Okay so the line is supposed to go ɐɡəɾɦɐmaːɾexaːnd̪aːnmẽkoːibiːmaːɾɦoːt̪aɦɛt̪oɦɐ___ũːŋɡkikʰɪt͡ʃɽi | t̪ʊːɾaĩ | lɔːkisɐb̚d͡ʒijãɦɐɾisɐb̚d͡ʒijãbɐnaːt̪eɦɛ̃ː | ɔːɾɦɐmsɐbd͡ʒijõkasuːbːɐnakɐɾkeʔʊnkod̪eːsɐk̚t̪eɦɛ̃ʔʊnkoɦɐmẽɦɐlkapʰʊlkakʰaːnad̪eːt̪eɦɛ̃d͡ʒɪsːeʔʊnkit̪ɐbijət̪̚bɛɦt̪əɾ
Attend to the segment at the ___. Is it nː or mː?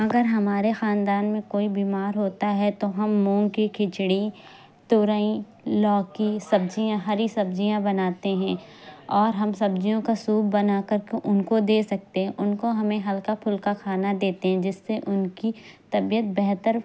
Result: mː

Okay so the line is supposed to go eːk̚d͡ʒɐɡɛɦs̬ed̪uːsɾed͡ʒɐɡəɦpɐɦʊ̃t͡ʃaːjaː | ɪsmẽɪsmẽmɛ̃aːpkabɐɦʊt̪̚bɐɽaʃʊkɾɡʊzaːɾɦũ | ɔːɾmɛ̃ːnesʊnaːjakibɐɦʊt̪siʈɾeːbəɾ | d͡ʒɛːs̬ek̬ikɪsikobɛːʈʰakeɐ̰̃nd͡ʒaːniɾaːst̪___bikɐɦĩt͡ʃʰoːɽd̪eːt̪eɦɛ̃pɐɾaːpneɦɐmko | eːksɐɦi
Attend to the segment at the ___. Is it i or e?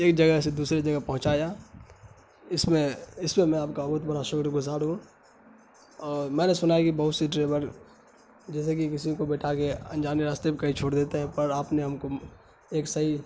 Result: e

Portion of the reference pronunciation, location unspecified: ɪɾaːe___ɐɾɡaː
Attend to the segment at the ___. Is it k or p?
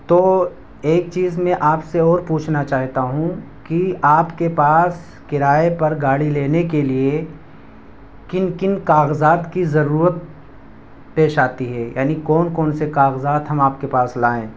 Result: p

